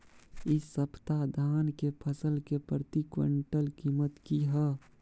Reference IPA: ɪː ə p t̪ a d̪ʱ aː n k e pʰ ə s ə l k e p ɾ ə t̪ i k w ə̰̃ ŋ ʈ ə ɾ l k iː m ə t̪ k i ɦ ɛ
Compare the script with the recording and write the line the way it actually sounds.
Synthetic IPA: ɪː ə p t̪ a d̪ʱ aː n k e pʰ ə s ə l k e p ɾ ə t̪ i k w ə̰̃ ɳ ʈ ə l k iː m ə t̪ k i ɦ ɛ